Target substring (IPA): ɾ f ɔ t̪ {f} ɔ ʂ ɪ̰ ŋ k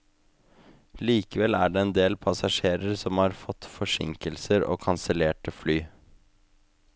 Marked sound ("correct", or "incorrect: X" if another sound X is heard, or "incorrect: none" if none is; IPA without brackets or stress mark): correct